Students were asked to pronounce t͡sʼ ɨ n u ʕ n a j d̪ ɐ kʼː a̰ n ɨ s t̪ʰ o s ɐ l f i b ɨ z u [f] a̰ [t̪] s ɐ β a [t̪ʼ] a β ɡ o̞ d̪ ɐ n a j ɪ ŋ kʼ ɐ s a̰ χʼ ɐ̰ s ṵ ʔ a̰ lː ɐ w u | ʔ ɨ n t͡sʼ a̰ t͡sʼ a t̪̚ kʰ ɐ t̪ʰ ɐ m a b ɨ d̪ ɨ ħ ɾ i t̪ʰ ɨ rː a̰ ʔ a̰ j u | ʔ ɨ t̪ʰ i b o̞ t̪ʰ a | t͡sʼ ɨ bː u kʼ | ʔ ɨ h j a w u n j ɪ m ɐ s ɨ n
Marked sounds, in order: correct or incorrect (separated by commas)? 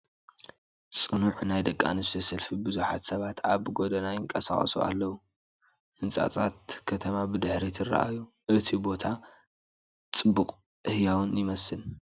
incorrect, correct, incorrect